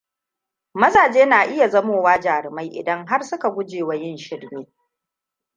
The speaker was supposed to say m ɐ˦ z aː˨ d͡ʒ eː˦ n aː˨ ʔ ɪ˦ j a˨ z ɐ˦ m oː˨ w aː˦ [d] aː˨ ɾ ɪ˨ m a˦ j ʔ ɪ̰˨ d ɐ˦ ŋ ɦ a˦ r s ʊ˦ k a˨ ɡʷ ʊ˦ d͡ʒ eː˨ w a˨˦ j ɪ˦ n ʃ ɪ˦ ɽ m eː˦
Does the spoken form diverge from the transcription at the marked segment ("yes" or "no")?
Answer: yes